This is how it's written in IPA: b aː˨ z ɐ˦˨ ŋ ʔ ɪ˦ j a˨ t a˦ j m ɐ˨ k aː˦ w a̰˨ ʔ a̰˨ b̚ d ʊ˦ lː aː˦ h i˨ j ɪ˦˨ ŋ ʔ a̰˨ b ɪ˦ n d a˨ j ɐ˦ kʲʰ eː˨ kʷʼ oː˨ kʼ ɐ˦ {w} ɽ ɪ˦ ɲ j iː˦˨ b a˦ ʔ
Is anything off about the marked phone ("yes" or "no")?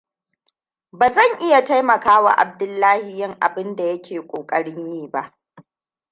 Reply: yes